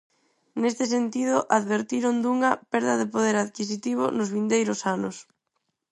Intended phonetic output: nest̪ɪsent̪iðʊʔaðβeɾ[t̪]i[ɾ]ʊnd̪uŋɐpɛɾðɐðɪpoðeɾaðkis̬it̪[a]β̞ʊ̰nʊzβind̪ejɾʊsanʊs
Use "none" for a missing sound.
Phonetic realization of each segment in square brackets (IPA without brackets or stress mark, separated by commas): t̪, ɾ, i